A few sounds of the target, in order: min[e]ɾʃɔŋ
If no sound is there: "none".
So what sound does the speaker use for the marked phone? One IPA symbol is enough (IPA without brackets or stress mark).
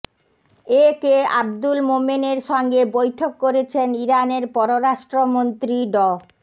e